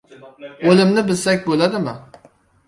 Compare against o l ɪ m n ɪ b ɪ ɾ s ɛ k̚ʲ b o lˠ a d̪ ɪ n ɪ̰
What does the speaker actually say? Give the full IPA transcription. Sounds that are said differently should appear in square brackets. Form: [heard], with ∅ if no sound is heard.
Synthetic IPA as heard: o l ɪ m n ɪ b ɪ [l] s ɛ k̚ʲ b o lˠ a d̪ ɪ [m] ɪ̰